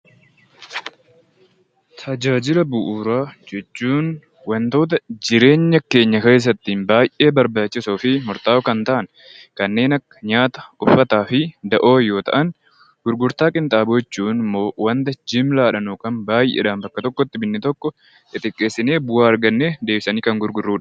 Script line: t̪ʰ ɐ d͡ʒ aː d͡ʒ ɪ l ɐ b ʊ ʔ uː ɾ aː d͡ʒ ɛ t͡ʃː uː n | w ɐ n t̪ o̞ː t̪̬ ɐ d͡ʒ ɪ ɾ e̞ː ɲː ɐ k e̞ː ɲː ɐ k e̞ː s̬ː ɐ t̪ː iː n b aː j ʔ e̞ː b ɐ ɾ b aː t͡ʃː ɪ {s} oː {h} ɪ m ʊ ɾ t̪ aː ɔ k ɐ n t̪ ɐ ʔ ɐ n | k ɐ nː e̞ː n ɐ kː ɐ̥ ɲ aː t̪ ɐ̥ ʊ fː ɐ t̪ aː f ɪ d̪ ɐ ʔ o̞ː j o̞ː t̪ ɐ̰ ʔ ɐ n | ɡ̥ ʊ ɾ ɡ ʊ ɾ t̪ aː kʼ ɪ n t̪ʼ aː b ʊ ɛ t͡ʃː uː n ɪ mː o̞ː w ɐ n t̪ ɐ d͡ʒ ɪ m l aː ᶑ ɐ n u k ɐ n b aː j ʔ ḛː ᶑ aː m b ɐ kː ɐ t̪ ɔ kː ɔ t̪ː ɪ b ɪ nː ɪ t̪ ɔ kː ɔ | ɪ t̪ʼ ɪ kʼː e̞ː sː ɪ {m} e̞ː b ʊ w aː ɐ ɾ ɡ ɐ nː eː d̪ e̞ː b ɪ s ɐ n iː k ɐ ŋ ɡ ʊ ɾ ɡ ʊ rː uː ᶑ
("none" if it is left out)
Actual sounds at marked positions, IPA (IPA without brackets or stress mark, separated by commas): s, f, n